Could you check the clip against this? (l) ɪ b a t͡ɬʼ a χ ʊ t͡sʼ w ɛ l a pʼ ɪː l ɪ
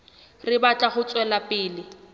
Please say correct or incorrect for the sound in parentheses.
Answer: incorrect